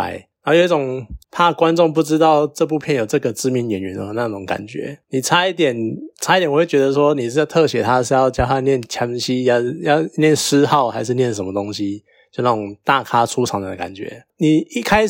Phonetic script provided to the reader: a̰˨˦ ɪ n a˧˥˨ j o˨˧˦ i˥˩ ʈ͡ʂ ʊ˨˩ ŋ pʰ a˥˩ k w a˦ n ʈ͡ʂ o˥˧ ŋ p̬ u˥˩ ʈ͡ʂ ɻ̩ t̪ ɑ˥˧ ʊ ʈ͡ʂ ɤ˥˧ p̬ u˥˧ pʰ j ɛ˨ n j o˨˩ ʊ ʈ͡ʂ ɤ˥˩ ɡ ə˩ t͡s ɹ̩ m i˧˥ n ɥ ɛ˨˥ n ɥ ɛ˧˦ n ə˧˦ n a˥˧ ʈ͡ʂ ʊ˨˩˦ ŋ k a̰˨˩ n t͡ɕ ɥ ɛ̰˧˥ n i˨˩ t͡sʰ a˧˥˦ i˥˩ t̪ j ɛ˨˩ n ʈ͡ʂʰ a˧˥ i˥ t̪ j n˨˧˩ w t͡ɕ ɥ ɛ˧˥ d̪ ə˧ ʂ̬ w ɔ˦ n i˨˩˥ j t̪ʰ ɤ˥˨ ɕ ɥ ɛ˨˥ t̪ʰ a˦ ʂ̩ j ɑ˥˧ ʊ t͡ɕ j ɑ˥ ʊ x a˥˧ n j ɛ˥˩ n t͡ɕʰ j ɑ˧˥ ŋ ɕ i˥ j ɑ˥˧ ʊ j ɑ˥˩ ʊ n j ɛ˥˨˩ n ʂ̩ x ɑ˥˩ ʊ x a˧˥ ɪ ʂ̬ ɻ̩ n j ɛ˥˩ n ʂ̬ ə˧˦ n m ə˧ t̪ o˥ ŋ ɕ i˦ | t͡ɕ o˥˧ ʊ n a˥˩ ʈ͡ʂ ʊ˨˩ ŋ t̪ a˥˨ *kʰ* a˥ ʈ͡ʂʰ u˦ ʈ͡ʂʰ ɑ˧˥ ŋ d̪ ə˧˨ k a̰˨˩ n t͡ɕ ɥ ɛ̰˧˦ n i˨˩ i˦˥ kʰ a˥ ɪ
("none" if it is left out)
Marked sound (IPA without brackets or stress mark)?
kʰ